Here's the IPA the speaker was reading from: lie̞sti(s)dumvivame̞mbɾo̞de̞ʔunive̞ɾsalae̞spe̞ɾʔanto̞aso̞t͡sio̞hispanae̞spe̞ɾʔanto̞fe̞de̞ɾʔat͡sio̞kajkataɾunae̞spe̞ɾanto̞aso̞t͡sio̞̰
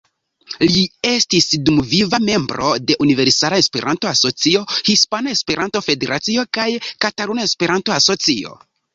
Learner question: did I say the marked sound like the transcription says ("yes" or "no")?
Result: yes